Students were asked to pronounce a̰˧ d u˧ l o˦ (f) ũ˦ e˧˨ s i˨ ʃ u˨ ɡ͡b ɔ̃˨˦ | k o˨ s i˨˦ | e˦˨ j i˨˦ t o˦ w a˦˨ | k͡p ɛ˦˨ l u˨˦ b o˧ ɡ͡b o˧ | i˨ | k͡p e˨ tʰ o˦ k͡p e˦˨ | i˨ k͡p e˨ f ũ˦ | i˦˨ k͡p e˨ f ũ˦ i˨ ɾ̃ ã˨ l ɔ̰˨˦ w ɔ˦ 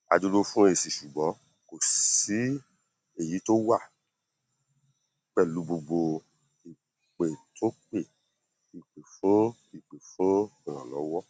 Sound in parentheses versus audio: correct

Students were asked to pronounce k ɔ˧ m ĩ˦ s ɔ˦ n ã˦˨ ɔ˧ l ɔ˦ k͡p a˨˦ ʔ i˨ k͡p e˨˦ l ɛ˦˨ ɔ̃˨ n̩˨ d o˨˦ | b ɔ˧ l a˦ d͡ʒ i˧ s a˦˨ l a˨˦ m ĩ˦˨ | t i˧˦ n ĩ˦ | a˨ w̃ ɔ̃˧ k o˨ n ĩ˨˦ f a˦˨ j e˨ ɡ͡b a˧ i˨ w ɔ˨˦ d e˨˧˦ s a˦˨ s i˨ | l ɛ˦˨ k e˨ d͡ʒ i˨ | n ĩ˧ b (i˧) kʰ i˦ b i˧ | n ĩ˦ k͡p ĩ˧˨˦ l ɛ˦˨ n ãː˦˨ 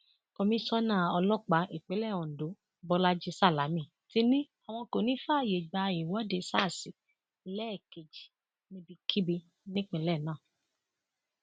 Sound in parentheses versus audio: correct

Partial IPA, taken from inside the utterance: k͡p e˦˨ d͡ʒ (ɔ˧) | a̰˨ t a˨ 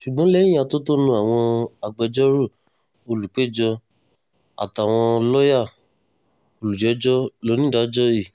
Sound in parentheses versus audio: correct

